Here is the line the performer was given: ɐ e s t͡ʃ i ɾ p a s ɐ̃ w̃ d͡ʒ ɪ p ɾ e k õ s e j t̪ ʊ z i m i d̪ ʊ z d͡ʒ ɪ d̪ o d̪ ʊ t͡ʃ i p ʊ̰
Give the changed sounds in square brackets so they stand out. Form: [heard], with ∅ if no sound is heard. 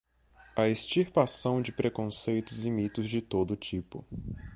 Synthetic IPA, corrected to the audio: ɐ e s t͡ʃ i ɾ p a s ɐ̃ w̃ d͡ʒ ɪ p ɾ e k õ s e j t̪ ʊ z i m i [t̪] ʊ z d͡ʒ ɪ [t̪] o d̪ ʊ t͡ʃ i p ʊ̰